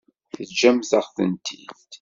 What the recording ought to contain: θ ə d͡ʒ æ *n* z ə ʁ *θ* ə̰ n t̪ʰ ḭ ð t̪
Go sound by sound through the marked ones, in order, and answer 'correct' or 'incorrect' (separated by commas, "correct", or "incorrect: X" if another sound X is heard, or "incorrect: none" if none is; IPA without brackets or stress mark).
incorrect: m, correct